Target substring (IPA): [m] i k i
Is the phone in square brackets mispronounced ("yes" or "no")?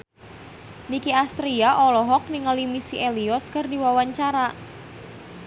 yes